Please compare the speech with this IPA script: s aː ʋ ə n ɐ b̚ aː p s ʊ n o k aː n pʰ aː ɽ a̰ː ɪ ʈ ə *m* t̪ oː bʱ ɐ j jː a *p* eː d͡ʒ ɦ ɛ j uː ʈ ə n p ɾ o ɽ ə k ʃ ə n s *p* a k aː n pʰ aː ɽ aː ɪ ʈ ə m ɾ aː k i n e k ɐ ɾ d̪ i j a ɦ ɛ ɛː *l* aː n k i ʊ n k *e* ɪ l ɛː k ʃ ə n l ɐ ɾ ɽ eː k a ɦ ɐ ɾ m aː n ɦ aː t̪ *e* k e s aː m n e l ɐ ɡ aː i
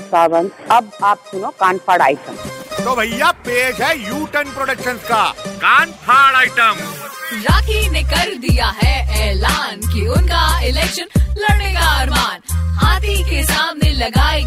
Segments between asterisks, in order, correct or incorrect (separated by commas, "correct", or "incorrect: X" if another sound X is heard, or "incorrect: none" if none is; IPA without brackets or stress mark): correct, correct, incorrect: k, correct, incorrect: a, incorrect: i